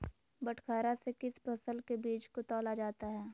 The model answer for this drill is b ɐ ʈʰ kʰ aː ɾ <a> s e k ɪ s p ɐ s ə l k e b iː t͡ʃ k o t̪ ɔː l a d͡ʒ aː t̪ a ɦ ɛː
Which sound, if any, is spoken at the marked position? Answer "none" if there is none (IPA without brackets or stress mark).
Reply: a